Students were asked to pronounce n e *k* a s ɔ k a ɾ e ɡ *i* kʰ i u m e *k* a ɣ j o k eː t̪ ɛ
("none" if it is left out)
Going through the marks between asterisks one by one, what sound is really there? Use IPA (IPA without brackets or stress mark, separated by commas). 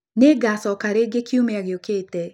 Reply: ɡ, e, none